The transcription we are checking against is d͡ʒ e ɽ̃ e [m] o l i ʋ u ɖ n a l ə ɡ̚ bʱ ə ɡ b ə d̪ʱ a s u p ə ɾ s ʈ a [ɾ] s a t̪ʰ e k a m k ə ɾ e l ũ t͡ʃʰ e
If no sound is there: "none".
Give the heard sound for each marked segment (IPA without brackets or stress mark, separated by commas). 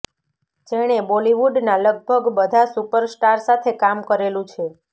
b, ɾ